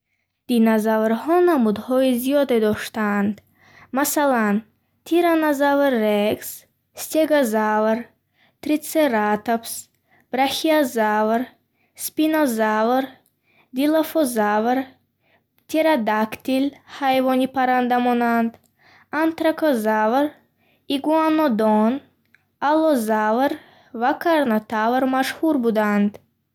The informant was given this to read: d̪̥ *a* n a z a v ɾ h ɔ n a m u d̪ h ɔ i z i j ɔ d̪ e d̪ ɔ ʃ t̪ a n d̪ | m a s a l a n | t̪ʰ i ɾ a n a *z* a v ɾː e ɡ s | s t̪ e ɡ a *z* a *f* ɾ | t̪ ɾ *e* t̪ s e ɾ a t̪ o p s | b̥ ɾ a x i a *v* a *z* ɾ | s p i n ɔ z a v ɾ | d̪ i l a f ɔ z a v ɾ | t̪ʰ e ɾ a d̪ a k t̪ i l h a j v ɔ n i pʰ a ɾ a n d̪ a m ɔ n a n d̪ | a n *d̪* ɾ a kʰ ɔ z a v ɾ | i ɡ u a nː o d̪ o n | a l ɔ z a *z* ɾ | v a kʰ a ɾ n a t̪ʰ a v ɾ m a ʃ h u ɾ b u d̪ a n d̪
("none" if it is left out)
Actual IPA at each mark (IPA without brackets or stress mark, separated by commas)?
i, z, z, v, i, z, v, t̪, v